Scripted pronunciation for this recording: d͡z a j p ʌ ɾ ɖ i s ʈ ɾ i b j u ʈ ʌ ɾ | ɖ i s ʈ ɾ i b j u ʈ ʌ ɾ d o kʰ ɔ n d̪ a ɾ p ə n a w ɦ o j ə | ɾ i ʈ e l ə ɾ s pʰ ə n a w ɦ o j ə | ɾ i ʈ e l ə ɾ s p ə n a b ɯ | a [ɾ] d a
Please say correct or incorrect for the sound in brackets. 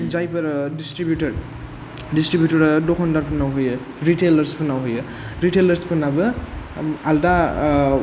incorrect